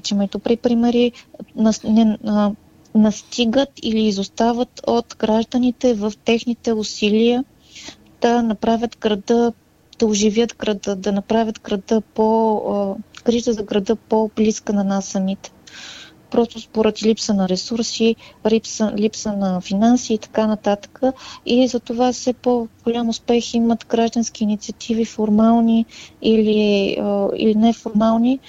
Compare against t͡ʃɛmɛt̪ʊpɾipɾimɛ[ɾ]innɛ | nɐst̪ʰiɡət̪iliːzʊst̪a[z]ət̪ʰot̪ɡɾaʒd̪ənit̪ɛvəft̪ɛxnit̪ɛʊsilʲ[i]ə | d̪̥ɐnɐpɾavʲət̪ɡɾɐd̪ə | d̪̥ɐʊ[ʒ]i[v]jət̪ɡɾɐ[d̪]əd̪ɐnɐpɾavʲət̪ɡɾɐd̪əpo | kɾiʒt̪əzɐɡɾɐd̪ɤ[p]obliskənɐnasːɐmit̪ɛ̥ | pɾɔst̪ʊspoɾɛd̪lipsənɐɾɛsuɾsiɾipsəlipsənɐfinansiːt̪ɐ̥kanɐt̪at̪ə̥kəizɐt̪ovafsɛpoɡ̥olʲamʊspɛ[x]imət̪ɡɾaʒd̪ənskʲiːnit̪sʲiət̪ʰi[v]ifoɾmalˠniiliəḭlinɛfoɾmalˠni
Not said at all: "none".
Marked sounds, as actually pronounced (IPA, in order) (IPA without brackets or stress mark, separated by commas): ɾ, v, i, ʒ, v, d̪, p, x, v